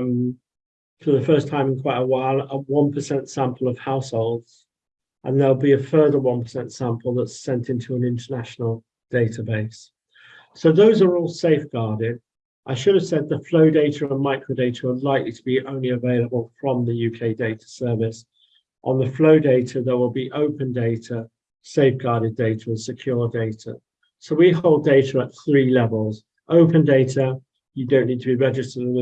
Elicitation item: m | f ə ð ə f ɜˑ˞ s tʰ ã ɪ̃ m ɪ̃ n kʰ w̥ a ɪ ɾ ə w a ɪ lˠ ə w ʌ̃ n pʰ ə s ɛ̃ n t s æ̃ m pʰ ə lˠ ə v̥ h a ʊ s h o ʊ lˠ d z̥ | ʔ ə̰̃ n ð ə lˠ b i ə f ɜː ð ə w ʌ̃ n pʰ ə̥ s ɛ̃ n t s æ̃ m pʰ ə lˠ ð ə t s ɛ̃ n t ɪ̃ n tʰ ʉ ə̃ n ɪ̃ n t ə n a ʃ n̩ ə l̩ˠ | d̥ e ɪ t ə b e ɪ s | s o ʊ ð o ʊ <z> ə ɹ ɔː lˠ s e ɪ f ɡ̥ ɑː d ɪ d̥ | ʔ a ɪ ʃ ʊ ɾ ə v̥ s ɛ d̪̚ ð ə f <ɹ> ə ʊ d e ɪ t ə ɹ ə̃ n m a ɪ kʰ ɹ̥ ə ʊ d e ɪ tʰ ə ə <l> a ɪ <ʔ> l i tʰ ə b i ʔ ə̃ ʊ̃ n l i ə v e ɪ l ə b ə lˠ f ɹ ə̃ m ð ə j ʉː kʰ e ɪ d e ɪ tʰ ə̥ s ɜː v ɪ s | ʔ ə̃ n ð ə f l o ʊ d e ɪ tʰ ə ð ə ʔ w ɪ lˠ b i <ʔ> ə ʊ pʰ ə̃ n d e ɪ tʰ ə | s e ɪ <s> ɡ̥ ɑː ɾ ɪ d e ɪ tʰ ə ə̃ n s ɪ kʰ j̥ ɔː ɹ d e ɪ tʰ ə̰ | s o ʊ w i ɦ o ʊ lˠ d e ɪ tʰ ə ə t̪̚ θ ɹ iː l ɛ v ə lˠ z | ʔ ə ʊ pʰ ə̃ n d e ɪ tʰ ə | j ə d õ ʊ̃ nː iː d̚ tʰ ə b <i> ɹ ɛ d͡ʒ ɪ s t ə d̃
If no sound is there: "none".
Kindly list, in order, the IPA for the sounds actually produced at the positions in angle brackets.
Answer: z, l, l, k, ʔ, f, i

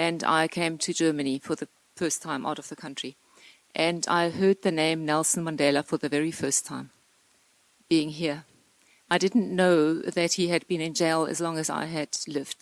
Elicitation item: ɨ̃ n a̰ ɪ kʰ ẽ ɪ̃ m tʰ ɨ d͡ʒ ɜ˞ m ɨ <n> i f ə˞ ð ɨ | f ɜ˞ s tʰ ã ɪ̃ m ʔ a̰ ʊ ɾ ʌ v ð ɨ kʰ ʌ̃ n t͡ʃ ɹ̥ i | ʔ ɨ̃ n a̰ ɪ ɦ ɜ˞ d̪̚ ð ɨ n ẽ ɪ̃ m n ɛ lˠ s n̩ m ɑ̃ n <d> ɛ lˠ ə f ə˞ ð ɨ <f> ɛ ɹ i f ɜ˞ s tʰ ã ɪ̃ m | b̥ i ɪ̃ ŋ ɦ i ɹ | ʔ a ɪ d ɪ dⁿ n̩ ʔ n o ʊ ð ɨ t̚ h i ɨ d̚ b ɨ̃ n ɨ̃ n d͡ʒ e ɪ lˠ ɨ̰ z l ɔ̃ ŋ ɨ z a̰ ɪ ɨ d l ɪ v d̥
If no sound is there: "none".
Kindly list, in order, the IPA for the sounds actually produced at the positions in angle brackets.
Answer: n, d, v

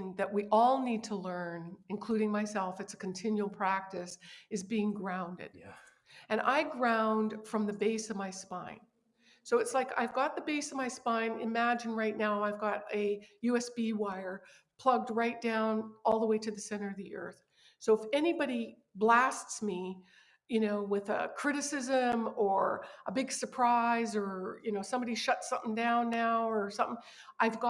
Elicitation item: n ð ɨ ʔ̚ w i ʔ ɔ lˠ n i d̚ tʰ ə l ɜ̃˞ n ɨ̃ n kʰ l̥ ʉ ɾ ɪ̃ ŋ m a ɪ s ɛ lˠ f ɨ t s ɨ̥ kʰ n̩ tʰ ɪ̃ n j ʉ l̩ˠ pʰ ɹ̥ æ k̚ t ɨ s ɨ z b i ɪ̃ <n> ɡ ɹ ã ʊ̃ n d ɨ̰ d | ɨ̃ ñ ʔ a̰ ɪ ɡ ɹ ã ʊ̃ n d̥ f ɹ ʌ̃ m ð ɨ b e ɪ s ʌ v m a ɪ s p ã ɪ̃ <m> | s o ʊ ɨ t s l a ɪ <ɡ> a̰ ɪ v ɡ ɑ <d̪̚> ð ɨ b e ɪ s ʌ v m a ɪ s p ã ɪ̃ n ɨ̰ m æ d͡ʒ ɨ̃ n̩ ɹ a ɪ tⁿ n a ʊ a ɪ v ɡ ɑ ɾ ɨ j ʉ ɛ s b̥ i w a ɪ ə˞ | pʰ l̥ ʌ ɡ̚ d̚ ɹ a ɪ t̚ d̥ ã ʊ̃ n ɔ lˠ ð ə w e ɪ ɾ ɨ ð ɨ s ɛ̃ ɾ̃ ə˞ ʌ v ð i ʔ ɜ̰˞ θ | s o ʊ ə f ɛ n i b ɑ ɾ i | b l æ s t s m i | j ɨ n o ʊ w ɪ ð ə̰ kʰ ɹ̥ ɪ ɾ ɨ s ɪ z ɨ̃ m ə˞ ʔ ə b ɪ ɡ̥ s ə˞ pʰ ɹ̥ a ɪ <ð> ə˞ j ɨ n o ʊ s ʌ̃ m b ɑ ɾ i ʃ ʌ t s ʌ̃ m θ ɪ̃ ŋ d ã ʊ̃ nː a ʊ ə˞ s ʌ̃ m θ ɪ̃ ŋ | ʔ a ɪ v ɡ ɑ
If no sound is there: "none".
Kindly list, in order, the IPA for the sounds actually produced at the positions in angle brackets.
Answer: ŋ, n, k, t̪̚, z

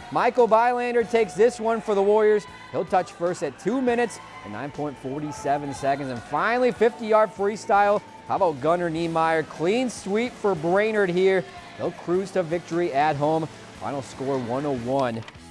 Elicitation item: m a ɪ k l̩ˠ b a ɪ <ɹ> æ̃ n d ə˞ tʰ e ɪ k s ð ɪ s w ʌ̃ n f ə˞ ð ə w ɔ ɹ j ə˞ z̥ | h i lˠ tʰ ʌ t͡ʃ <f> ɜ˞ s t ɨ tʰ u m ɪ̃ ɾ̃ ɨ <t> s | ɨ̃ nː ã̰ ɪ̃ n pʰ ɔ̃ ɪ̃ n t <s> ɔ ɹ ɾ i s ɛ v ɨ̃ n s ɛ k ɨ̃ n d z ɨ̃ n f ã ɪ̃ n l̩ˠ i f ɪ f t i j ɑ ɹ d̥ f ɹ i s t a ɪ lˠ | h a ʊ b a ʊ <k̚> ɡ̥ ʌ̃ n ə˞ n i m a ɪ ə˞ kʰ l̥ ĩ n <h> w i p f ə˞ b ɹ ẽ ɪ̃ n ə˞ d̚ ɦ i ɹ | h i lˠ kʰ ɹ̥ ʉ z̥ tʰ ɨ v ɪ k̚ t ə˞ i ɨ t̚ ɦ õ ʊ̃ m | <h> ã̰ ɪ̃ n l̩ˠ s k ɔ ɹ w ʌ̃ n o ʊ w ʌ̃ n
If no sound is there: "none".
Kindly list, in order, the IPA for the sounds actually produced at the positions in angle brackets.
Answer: l, f, t, f, t̚, s, f

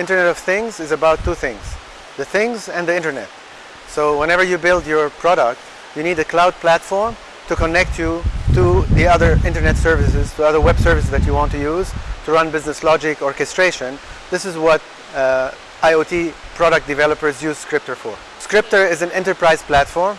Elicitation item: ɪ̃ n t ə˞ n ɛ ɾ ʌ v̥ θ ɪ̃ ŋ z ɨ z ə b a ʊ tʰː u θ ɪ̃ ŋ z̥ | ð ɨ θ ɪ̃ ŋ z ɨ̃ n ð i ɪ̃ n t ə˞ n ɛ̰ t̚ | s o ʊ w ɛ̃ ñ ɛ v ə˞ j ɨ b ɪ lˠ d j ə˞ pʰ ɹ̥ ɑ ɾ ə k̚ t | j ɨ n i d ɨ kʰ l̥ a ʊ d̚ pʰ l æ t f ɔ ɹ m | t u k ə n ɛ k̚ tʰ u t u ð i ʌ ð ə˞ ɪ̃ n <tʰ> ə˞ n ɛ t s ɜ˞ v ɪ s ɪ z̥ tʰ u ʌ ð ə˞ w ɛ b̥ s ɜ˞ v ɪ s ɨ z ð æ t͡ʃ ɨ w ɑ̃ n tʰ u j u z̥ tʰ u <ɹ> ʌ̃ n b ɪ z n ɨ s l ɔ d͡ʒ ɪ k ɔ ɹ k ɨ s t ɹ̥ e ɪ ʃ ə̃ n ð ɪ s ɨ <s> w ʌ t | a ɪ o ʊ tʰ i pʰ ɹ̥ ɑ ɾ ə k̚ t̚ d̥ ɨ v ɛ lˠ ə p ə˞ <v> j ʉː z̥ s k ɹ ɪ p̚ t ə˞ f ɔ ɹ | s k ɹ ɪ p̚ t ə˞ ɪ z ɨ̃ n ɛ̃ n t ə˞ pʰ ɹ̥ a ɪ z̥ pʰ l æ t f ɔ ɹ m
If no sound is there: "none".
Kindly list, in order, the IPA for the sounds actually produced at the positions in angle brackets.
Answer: t, ɹ, z, z

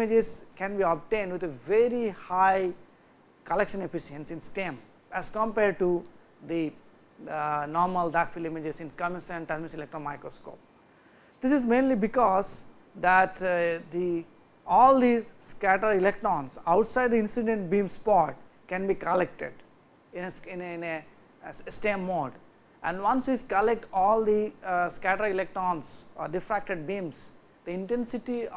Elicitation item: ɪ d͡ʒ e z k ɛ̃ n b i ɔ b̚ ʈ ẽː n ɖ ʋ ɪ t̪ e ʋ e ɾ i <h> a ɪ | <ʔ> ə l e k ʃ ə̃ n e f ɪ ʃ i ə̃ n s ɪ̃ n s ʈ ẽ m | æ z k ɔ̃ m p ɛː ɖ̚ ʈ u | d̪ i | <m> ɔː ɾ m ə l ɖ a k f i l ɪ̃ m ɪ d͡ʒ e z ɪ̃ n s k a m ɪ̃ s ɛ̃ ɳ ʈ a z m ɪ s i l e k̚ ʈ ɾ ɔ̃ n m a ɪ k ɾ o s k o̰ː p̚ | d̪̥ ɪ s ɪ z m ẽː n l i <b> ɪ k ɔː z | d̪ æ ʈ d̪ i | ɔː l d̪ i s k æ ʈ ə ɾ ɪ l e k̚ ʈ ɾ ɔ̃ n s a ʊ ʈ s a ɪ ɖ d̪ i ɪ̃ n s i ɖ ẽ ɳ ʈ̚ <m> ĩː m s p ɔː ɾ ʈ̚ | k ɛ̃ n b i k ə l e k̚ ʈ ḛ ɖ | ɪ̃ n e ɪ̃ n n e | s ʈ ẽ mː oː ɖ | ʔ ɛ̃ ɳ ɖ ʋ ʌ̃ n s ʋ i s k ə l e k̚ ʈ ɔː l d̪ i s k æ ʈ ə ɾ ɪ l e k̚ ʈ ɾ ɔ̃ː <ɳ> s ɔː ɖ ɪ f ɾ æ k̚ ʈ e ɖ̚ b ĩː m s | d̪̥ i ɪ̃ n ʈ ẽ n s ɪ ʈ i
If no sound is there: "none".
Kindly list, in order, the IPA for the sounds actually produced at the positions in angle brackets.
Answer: h, k, n, b, b, n

